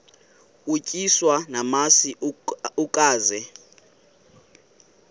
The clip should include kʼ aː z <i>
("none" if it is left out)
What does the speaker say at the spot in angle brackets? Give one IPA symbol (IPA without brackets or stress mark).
ɛ